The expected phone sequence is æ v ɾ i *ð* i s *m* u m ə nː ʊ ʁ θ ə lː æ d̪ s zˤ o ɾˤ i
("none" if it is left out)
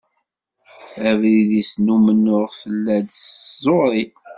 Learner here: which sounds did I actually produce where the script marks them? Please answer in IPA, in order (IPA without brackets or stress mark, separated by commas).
ð, n